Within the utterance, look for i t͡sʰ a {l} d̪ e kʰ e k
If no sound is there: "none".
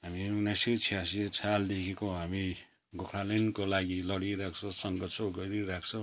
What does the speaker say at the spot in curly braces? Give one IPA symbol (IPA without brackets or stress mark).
l